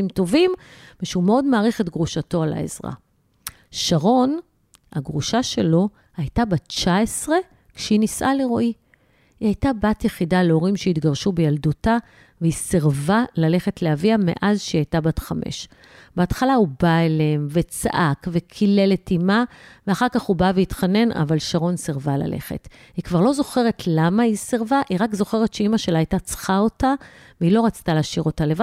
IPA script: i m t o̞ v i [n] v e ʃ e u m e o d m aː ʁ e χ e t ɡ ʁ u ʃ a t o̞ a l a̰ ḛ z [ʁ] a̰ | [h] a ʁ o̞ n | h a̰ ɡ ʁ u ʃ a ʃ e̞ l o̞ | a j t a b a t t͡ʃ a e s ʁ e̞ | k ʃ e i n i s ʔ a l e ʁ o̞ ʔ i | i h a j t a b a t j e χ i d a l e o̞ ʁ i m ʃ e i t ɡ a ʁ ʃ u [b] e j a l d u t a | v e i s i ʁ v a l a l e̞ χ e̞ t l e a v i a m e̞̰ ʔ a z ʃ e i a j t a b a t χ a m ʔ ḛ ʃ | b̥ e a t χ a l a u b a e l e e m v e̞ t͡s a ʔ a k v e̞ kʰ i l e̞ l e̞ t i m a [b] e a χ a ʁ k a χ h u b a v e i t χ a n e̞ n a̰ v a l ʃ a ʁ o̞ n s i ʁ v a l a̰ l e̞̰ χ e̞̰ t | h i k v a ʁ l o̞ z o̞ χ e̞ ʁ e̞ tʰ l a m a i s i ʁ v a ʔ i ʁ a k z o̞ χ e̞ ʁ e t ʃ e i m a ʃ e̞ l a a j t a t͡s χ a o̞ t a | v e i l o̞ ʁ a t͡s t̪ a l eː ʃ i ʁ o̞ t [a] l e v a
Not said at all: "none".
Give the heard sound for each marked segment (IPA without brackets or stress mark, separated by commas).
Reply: m, ʁ, ʃ, b, v, a